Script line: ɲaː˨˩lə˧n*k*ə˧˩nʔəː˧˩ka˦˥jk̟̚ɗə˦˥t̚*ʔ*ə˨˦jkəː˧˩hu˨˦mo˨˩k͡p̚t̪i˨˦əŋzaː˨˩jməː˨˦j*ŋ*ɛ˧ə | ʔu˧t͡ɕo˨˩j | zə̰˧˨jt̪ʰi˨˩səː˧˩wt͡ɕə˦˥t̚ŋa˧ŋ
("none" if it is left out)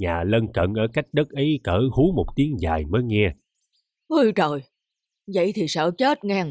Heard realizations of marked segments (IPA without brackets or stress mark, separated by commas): k, ʔ, ŋ